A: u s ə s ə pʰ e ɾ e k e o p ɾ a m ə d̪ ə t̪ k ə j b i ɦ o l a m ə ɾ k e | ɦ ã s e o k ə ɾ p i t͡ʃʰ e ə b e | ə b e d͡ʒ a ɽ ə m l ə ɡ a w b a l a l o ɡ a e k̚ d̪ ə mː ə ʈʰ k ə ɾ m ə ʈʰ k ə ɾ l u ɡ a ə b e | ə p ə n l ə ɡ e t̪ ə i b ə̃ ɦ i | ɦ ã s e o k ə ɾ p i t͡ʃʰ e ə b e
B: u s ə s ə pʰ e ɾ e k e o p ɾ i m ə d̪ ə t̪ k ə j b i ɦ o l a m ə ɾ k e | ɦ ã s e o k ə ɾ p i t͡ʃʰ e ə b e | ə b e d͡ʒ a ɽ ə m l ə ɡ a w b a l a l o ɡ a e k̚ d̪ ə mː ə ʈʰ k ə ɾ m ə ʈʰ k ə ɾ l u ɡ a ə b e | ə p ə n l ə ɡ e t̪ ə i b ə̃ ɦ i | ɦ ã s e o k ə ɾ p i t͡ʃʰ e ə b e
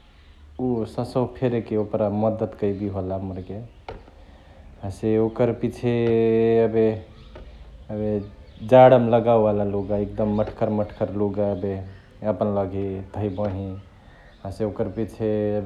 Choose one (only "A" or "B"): A